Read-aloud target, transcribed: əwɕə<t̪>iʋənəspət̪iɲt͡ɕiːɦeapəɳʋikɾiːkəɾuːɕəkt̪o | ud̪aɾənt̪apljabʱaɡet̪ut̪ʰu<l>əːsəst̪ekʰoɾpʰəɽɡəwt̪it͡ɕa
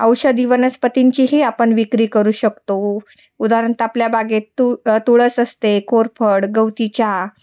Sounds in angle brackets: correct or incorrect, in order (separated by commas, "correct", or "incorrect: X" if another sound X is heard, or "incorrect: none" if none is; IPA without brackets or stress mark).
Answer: incorrect: d̪, incorrect: ɭ